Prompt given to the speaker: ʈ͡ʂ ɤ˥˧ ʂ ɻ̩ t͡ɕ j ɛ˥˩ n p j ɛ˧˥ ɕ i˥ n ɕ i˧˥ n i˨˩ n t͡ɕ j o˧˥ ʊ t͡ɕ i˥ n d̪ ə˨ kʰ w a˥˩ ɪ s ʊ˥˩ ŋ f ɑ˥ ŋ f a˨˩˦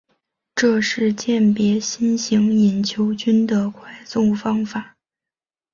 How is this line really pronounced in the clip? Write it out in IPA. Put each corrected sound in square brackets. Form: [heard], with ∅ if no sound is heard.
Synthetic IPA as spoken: ʈ͡ʂ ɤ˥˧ ʂ ɻ̩ t͡ɕ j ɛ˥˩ n p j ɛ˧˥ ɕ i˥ n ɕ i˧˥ [ŋ] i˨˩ n [t͡ɕʰ] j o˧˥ ʊ t͡ɕ [y˥] n d̪ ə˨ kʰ w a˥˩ ɪ s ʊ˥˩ ŋ f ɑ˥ ŋ f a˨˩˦